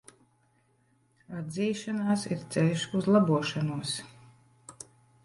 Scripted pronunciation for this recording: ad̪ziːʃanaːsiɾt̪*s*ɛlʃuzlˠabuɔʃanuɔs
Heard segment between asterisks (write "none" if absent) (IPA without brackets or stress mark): s